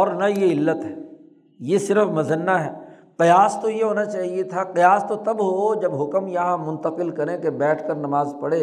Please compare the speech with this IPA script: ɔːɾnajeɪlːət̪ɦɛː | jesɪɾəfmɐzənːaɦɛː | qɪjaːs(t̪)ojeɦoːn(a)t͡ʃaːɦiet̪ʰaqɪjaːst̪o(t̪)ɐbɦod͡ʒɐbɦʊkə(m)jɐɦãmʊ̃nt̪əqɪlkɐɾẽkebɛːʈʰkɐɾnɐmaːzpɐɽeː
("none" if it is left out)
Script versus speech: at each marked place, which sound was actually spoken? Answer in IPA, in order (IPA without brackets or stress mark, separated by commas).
t̪, a, t̪, m